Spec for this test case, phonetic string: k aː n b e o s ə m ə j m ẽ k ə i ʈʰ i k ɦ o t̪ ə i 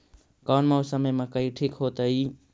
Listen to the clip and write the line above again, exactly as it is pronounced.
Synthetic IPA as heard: k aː n m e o s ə m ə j m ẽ k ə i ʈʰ i k ɦ o t̪ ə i